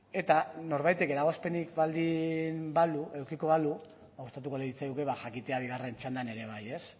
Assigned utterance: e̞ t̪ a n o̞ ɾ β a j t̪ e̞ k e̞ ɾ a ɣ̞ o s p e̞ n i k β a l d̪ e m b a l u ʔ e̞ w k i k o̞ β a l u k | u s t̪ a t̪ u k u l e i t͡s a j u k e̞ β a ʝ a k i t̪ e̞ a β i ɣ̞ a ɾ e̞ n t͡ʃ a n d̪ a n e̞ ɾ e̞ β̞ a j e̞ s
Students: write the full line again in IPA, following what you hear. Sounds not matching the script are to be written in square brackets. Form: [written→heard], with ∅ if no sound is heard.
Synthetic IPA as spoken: e̞ t̪ a n o̞ ɾ β a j t̪ e̞ k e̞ ɾ a ɣ̞ o s p e̞ n i k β a l d̪ [e→i] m b a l u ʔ e̞ w k i k o̞ β a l u [k→∅] | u s t̪ a t̪ u k [u→o] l e i t͡s a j u k e̞ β a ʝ a k i t̪ e̞ a β i ɣ̞ a [ɾ→r] e̞ n t͡ʃ a n d̪ a n e̞ ɾ e̞ β̞ a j e̞ s